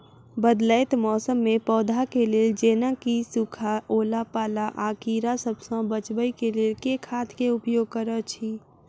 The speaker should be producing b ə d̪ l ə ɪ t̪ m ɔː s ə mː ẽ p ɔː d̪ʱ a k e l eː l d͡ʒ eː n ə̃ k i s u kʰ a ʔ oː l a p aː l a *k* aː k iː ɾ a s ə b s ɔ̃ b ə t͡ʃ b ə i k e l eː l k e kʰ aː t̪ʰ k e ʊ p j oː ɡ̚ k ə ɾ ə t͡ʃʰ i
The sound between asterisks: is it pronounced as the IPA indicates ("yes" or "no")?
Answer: no